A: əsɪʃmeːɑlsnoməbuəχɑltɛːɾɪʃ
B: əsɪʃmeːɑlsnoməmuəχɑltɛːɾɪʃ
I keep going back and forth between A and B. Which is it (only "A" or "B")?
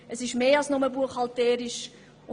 A